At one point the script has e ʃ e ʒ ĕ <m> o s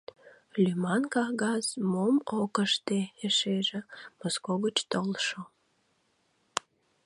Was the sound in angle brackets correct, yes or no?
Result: yes